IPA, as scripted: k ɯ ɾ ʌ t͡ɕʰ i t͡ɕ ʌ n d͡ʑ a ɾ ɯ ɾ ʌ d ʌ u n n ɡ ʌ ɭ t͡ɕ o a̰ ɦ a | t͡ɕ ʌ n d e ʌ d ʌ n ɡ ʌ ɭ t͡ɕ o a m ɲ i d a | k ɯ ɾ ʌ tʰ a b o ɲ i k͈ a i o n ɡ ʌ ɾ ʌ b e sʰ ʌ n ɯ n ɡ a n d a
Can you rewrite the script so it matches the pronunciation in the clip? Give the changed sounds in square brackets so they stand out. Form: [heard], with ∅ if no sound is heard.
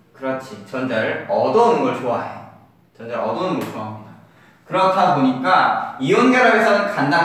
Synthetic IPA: k ɯ ɾ ʌ t͡ɕʰ i t͡ɕ ʌ n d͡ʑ a ɾ ɯ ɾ ʌ d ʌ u n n ɡ ʌ ɭ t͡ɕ o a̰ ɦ [e] | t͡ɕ ʌ n d e ʌ d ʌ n ɡ ʌ ɭ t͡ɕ o a m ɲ i d a | k ɯ ɾ ʌ tʰ a b o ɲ i k͈ a i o n ɡ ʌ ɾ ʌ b e sʰ ʌ n ɯ n [k] a n d a